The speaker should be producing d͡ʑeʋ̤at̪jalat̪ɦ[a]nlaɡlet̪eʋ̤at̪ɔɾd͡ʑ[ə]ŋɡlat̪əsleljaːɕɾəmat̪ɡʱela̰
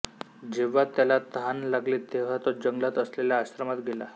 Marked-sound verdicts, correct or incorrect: correct, correct

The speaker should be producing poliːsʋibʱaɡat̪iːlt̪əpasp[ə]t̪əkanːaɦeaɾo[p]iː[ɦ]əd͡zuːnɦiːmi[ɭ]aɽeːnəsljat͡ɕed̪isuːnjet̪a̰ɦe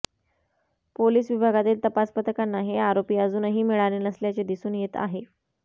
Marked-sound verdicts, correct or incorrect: correct, correct, incorrect, correct

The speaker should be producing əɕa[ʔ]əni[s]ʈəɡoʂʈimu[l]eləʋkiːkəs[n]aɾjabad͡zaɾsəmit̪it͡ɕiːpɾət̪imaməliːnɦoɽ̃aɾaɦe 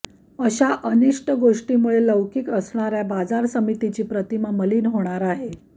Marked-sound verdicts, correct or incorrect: correct, incorrect, incorrect, incorrect

